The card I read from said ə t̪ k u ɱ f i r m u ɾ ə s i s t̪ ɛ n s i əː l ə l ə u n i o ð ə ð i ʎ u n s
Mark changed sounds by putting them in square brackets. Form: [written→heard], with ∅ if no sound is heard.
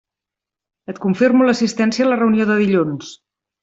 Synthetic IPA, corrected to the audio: ə t̪ k u ɱ f i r m u [ɾ→l] ə s i s t̪ ɛ n s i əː l ə [l→r] ə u n i o ð ə ð i ʎ u n s

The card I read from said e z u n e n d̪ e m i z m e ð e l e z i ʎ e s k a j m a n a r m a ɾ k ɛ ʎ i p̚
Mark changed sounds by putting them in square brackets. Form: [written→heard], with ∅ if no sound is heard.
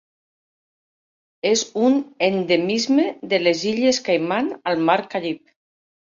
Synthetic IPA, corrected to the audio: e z u n e n d̪ e m i z m e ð e l e z i ʎ e s k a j m a n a [r→l] m a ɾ k [ɛ→a] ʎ i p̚

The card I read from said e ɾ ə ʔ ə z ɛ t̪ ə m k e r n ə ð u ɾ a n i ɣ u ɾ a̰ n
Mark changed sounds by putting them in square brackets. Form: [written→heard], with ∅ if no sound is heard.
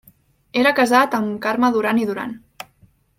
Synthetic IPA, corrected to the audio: e ɾ ə [ʔ→k] ə z [ɛ→a] t̪ ə m k [e→a] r [n→m] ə ð u ɾ a n i [ɣ→ð] u ɾ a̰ n

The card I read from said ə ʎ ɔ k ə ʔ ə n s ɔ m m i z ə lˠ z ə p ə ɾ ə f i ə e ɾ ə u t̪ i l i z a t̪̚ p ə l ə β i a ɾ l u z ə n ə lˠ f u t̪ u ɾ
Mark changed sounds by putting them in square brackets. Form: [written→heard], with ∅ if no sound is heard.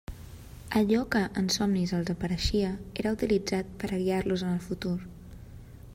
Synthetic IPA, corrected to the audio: ə ʎ ɔ k ə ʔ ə n s ɔ m [m→n] i z ə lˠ z ə p ə ɾ ə [f→ʃ] i ə e ɾ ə u t̪ i l i [z→d͡z] a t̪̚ p ə [l→ɾ] ə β i a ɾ l u z ə n ə lˠ f u t̪ u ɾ

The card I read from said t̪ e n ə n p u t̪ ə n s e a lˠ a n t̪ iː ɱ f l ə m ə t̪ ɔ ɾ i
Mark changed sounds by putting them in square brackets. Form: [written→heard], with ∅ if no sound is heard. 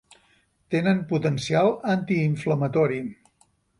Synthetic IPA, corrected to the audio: t̪ e n ə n p u t̪ ə n s [e→i] a lˠ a n t̪ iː ɱ f l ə m ə t̪ ɔ ɾ i

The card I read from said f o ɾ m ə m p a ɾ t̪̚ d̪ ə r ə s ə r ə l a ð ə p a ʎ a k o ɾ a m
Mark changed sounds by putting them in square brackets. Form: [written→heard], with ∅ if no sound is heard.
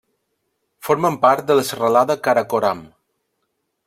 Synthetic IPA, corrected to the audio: f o ɾ m ə m p a ɾ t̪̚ d̪ ə [r→l] ə s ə r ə l a ð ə [p→k] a [ʎ→ɾ] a k o ɾ a m

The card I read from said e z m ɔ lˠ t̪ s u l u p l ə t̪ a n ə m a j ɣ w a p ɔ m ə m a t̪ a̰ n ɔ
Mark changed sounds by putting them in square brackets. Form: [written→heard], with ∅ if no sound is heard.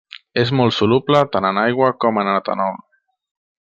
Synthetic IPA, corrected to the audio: e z m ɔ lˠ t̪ s u l u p l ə t̪ a n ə [m→n] a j ɣ w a [p→k] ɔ m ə [m→n] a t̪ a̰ n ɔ

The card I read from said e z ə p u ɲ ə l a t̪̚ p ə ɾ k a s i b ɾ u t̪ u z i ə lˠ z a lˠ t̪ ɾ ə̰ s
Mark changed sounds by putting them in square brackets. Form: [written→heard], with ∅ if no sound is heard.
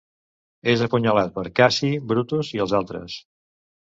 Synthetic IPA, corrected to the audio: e z ə p u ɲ ə l a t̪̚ p ə ɾ k a s i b ɾ u t̪ u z i ə lˠ z a lˠ t̪ ɾ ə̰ s

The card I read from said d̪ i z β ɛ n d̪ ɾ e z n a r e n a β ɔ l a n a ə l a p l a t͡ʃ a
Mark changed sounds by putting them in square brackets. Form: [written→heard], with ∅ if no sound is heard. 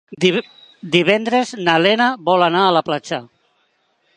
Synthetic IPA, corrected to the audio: d̪ i [z→∅] β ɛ n d̪ ɾ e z n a [r→l] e n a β ɔ l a n a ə l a p l a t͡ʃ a

